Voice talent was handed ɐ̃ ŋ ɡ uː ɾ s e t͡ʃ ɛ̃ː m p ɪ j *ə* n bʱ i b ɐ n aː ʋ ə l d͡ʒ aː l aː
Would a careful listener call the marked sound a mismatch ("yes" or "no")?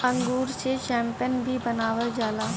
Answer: no